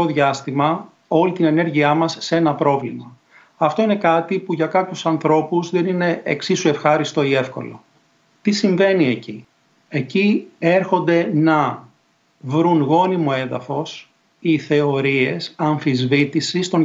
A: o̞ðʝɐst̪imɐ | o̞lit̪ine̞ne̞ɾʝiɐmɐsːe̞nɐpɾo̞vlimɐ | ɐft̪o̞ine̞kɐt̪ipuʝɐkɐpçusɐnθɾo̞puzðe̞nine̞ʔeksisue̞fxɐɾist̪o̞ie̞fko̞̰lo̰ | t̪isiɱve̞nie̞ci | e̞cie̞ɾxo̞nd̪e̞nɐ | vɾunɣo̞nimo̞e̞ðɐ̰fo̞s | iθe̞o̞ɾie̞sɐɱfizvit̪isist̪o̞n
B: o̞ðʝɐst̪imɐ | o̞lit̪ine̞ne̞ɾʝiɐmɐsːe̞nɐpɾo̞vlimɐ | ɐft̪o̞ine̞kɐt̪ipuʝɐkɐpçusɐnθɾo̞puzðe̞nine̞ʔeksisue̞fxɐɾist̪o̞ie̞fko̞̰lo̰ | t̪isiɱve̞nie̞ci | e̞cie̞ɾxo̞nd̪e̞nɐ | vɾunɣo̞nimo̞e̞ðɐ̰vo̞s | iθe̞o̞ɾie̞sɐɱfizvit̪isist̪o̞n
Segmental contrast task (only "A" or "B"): A